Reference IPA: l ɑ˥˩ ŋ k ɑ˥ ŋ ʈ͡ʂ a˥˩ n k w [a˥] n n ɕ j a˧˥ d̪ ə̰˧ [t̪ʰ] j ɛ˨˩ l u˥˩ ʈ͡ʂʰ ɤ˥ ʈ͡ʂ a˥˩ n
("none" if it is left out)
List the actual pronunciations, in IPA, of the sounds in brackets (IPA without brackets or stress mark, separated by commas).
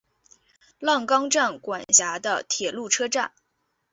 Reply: a˨˩, t̪ʰ